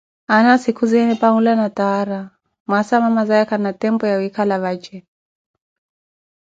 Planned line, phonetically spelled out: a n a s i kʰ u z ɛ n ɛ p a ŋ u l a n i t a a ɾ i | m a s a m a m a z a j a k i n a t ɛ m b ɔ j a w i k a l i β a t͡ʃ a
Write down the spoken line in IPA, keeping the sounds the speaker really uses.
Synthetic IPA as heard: a n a s i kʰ u z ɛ n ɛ p a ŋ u l a n a t a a ɾ a | m a s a m a m a z a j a k a n a t ɛ m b ɔ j a w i k a l a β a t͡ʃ ɛ